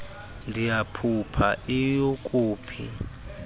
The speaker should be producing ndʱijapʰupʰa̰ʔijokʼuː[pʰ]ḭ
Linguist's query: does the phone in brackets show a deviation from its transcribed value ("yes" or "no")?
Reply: no